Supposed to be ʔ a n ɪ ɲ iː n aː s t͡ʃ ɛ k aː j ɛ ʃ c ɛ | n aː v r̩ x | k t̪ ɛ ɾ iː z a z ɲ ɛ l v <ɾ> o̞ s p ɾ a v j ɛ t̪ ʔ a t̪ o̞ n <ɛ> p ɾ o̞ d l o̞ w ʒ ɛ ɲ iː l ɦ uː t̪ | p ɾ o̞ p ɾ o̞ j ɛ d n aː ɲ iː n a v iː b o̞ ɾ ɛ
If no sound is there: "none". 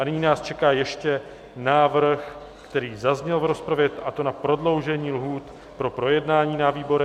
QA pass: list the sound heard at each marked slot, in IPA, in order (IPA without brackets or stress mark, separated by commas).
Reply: ɾ, a